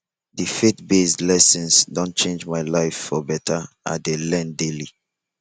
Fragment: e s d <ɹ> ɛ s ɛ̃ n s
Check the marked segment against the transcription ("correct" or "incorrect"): incorrect